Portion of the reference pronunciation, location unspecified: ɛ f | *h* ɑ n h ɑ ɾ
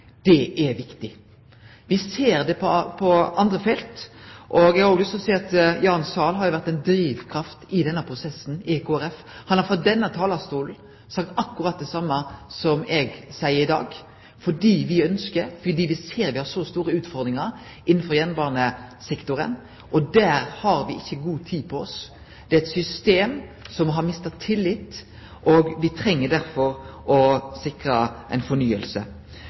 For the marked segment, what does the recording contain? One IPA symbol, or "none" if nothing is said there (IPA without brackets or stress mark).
h